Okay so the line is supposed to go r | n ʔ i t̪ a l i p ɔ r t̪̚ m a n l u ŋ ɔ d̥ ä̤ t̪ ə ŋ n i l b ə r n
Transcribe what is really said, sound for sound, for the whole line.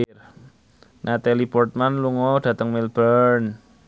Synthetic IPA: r | n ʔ a t̪ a l i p ɔ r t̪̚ m a n l u ŋ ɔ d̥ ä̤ t̪ ə ŋ m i l b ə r n